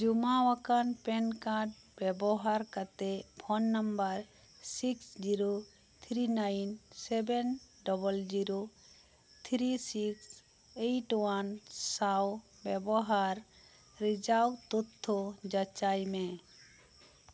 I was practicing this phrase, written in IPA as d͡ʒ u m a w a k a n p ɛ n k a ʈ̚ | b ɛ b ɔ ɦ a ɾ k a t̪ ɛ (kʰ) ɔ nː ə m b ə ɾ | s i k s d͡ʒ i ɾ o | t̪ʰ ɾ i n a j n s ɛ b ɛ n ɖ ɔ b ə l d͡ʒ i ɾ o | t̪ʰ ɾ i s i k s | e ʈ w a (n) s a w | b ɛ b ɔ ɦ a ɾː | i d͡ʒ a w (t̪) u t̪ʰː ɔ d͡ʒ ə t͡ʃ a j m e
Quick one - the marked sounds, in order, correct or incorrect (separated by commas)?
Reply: incorrect, correct, correct